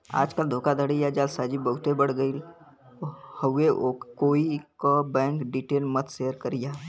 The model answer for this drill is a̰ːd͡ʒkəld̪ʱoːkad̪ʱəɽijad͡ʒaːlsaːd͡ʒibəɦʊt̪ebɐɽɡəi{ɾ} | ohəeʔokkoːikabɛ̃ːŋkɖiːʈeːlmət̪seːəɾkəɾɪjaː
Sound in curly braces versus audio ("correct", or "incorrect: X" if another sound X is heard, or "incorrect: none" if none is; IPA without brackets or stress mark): incorrect: l